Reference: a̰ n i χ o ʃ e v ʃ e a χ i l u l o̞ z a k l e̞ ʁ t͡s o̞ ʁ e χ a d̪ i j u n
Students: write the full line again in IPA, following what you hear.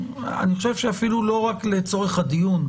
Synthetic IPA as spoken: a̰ n i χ o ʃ e v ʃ e a f i l u l o̞ ʁ a k l e̞ t͡s o̞ ʁ e χ a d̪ i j u n